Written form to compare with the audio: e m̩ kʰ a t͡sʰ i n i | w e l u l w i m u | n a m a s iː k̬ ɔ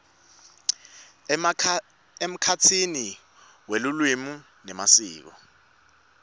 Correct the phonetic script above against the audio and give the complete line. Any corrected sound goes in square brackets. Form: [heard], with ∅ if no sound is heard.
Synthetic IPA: e m̩ kʰ a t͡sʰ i n i | w e l u l w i m u | n [ɛ] m a s iː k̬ ɔ